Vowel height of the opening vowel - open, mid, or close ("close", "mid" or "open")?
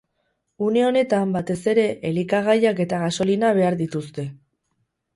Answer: close